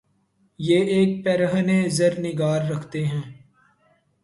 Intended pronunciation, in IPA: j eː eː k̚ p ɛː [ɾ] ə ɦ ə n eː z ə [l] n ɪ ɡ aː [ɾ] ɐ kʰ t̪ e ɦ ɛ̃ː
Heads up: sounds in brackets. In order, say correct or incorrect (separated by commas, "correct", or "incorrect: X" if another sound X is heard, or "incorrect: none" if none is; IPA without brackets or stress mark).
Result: correct, incorrect: ɾ, incorrect: ɾː